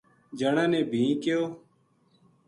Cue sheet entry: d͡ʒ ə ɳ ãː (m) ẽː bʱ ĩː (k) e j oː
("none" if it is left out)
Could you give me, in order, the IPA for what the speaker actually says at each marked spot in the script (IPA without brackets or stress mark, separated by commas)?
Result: n, k